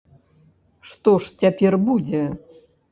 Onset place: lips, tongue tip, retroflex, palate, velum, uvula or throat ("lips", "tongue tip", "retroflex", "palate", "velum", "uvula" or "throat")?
retroflex